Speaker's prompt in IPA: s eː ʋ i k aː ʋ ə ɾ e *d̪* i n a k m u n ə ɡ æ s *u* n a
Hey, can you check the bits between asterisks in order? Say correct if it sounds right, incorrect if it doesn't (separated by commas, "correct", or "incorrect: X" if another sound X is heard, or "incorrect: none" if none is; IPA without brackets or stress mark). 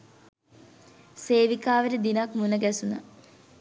correct, correct